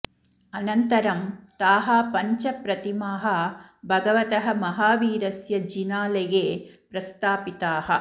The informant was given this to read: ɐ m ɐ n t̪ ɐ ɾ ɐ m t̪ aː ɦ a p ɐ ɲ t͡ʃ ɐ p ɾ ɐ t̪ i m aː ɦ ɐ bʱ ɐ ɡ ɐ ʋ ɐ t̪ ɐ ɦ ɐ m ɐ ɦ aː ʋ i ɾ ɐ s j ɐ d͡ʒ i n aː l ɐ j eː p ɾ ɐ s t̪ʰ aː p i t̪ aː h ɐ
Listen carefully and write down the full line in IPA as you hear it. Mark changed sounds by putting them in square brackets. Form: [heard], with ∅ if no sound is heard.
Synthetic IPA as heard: ɐ [n] ɐ n t̪ ɐ ɾ ɐ m t̪ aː ɦ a p ɐ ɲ t͡ʃ ɐ p ɾ ɐ t̪ i m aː ɦ ɐ bʱ ɐ ɡ ɐ ʋ ɐ t̪ ɐ ɦ ɐ m ɐ ɦ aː ʋ [iː] ɾ ɐ s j ɐ d͡ʒ i n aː l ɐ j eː p ɾ ɐ s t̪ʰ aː p i t̪ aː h ɐ